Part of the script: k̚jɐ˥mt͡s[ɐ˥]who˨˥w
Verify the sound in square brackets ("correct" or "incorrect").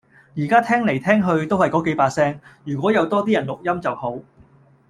incorrect